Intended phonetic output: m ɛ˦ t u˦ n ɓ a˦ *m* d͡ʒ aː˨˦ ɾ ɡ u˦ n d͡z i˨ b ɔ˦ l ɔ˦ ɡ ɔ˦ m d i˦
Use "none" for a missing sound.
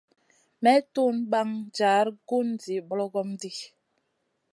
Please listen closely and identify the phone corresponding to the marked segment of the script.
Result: ŋ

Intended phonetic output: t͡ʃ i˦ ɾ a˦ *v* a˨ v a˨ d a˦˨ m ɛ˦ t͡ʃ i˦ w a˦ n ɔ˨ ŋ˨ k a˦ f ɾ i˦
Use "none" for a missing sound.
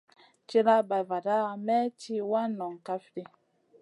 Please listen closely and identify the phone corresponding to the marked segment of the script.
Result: b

